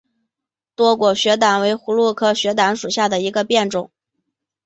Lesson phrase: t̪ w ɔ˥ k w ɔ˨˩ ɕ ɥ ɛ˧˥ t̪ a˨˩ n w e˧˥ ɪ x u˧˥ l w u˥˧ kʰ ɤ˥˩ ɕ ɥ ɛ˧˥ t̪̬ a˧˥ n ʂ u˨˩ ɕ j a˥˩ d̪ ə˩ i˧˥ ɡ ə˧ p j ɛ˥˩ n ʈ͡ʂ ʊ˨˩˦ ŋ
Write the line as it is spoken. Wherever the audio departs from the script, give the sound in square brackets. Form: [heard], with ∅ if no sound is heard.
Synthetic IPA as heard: t̪ w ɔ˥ k w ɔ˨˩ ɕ ɥ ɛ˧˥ t̪ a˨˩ n w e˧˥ ɪ x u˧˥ l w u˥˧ kʰ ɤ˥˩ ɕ ɥ ɛ˧˥ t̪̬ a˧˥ n ʂ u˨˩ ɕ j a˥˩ d̪ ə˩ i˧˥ ɡ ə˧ p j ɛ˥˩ n ʈ͡ʂ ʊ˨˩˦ ŋ